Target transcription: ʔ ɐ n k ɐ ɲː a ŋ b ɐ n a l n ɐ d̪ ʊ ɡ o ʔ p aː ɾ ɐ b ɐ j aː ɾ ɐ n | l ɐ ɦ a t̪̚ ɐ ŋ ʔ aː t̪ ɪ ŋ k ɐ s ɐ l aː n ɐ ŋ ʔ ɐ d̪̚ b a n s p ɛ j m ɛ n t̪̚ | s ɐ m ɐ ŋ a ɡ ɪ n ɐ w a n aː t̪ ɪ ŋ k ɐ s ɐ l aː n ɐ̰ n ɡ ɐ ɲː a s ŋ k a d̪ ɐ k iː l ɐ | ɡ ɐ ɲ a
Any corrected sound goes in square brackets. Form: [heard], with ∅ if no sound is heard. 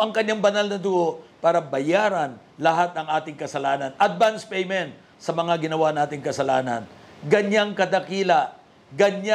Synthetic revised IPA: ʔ ɐ [ŋ] k ɐ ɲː a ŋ b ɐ n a l n ɐ d̪ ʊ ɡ o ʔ p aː ɾ ɐ b ɐ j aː ɾ ɐ n | l ɐ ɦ a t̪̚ ɐ ŋ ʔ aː t̪ ɪ ŋ k ɐ s ɐ l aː n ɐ [n] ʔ ɐ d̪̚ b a n s p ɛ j m ɛ n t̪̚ | s ɐ m ɐ ŋ a ɡ ɪ n ɐ w a n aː t̪ ɪ ŋ k ɐ s ɐ l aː n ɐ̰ n ɡ ɐ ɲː a [∅] ŋ k [ɐ] d̪ ɐ k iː l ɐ | ɡ ɐ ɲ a